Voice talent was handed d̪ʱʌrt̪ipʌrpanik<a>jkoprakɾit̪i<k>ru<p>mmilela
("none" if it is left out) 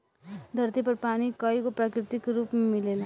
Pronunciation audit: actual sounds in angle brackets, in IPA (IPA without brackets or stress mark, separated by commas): ʌ, k, p